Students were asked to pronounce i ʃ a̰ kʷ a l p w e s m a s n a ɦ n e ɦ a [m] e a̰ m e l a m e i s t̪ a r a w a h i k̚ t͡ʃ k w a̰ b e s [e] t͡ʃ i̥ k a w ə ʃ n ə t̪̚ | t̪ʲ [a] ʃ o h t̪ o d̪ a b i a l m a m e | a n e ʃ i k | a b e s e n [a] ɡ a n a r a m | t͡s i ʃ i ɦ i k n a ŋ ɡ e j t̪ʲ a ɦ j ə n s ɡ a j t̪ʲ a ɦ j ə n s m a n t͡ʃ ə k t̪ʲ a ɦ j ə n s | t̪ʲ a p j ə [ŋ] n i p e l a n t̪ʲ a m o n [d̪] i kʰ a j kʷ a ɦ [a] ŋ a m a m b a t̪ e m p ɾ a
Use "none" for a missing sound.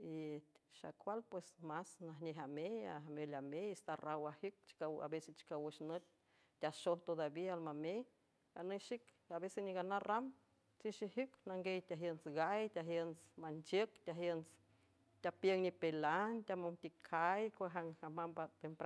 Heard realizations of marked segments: m, e, a, i, ŋ, t̪, a

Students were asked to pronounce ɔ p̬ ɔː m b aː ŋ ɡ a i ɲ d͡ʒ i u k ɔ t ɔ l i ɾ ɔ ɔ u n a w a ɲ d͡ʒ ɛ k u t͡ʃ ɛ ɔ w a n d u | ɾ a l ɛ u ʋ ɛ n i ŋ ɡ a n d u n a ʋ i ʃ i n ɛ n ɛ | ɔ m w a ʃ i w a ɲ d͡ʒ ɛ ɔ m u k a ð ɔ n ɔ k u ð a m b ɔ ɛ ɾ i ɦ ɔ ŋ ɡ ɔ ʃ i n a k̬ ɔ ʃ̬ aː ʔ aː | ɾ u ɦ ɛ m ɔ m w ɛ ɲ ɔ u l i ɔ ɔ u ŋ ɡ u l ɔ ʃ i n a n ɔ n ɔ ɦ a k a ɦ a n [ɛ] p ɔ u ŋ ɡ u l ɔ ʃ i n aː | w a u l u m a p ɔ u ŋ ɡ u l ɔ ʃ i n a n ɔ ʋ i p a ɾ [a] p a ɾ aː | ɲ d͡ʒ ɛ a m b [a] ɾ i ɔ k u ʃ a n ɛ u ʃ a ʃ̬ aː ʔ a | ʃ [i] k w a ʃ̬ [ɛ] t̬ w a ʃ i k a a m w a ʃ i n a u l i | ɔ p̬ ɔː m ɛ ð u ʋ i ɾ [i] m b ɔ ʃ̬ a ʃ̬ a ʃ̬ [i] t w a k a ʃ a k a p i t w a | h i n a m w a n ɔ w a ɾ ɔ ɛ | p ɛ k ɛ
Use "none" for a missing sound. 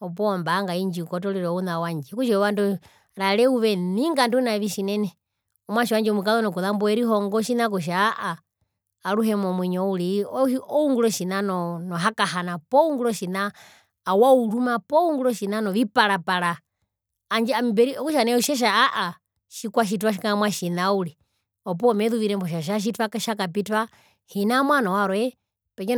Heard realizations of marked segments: a, a, ɛ, i, i, ɛ, i

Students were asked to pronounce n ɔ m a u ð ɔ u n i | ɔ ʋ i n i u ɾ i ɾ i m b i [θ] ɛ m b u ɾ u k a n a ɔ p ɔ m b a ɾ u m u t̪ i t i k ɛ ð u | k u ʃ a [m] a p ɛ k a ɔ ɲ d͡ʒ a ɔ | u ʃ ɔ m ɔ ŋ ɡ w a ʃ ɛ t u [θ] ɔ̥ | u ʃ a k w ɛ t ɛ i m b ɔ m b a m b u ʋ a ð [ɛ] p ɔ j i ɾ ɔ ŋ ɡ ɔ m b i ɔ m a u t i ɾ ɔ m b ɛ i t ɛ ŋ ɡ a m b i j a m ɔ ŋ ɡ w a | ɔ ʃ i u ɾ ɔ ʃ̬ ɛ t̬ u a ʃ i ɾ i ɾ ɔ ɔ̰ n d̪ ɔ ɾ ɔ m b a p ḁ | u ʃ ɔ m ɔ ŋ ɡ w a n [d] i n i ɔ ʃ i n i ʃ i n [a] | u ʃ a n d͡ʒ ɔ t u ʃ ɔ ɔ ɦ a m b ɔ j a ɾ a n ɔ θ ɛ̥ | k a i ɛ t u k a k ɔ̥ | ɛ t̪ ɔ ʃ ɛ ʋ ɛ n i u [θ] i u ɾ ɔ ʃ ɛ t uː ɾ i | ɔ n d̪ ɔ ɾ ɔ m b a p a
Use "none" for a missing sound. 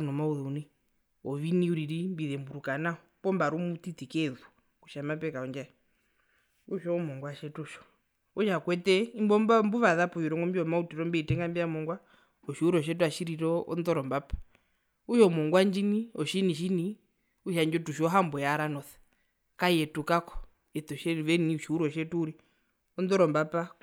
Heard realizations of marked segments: ð, m, ʃ, a, d͡ʒ, i, ʃ

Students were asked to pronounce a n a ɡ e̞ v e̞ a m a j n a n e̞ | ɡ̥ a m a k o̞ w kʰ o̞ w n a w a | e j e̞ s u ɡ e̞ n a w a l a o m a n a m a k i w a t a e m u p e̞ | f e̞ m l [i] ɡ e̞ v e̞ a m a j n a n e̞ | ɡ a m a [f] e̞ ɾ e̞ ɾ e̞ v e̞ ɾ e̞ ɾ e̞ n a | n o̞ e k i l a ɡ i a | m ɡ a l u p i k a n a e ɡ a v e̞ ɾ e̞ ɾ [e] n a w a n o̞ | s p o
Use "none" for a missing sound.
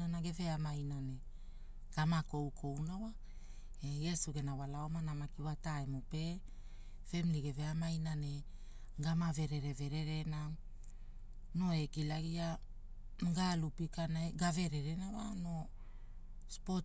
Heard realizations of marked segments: i, v, e

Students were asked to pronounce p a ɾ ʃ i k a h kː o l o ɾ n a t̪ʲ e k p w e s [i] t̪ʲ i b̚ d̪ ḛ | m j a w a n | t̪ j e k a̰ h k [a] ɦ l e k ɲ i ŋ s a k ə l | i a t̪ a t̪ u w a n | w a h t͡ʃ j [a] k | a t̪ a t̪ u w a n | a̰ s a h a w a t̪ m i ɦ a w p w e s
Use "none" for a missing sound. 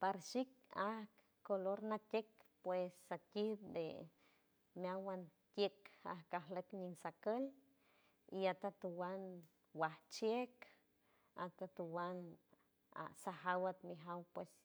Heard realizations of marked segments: a, a, e

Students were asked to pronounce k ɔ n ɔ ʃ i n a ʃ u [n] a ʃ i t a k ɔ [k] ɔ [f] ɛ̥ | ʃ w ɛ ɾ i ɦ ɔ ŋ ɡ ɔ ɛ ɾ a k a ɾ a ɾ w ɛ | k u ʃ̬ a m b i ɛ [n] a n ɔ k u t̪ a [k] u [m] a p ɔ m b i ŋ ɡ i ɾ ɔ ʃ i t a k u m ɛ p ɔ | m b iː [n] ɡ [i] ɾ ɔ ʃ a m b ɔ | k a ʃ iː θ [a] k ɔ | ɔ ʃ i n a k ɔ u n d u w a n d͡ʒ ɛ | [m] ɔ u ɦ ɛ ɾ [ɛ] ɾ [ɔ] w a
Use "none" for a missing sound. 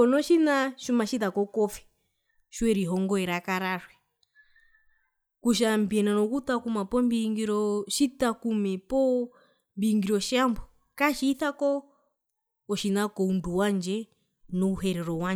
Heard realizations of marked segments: m, k, f, n, k, m, ŋ, i, a, n, ɛ, ɔ

